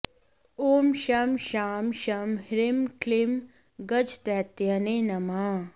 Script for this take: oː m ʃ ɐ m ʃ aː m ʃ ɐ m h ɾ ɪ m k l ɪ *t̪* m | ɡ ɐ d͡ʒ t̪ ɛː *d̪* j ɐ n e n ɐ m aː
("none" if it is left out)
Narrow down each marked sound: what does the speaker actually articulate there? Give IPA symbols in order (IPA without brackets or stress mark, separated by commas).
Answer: none, t̪